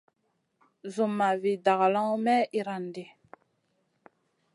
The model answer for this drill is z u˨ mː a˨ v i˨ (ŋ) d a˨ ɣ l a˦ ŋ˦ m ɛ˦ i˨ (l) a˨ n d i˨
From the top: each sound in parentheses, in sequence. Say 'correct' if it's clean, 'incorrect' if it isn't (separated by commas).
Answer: incorrect, incorrect